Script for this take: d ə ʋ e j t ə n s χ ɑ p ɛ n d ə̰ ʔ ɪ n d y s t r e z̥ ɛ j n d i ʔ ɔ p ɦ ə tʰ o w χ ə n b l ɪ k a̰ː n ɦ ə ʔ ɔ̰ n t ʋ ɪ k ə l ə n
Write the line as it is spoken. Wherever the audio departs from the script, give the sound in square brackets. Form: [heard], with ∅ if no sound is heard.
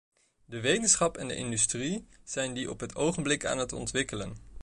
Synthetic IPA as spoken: d ə ʋ e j t ə n s χ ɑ p ɛ n d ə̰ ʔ ɪ n d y s t r [i] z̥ ɛ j n d i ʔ ɔ p ɦ ə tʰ o w χ ə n b l ɪ k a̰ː n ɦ ə [t] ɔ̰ n t ʋ ɪ k ə l ə n